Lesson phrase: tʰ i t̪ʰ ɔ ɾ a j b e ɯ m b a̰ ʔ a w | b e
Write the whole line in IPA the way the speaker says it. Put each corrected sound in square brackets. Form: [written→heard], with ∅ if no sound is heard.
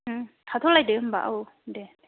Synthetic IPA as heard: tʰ [i→a] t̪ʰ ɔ [ɾ→l] a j [b→d] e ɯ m b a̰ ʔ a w | [b→d] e